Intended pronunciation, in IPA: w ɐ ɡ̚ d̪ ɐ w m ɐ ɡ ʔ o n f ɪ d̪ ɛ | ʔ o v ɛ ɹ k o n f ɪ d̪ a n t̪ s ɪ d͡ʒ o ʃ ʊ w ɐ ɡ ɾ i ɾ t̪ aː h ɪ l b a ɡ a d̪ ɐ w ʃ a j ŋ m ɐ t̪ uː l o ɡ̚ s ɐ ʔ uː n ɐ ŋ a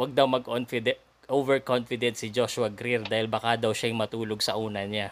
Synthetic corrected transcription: w ɐ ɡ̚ d̪ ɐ w m ɐ ɡ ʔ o n f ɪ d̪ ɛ | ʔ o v ɛ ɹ k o n f ɪ d̪ ɛ n t̪ s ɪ d͡ʒ o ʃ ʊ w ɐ ɡ ɾ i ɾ d̪ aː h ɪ l b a k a d̪ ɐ w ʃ a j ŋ m ɐ t̪ uː l o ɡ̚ s ɐ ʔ uː n ɐ ɲ a